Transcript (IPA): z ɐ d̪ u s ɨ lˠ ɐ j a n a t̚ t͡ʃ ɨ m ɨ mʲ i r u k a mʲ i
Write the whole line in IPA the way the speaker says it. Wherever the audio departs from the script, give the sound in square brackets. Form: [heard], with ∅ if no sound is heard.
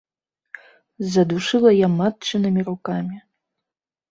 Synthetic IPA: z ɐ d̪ u [ʂ] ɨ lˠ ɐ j a [m] a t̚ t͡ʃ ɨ [n] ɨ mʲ i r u k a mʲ i